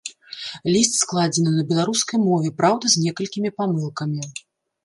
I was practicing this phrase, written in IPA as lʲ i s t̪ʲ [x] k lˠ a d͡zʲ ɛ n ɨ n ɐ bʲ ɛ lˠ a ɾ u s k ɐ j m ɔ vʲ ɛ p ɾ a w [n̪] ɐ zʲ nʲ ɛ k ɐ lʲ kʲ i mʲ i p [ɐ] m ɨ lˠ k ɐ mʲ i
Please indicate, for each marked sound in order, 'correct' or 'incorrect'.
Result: incorrect: s, incorrect: d̪, incorrect: a

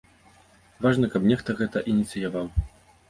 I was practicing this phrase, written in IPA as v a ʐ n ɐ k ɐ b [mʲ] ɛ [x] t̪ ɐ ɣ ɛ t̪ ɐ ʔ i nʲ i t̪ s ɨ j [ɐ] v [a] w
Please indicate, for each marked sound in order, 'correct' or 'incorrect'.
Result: incorrect: nʲ, correct, incorrect: a, correct

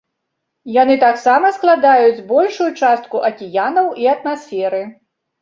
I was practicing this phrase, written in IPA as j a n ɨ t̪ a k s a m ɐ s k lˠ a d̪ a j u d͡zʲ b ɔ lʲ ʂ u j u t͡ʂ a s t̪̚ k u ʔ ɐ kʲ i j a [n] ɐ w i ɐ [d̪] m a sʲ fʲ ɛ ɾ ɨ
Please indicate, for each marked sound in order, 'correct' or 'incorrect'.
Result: correct, incorrect: t̪

